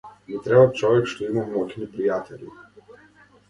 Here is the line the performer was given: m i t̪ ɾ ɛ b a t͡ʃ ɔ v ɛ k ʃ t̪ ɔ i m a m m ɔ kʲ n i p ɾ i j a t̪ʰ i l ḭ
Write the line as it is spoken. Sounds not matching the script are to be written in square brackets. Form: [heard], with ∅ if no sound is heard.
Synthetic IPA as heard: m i t̪ ɾ ɛ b a t͡ʃ ɔ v ɛ k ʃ t̪ ɔ i m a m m ɔ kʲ n i p ɾ i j a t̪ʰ [ɛ] l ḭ